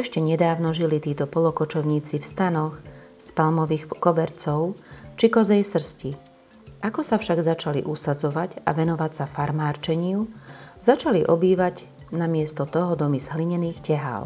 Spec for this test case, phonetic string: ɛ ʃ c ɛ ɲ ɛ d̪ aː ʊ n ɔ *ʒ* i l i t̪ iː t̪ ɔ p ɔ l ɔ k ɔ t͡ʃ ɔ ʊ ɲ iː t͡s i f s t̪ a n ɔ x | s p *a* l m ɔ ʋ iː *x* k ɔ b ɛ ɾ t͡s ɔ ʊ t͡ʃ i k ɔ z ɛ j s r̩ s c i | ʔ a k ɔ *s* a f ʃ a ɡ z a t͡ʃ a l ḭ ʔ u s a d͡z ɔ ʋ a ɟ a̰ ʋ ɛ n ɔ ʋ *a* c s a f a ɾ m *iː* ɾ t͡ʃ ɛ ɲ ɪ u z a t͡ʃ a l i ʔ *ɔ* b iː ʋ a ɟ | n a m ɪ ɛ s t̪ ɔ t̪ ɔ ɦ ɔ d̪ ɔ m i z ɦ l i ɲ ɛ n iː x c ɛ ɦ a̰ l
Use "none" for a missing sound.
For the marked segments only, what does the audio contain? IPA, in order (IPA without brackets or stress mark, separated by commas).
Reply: ʒ, a, x, s, a, aː, ɔ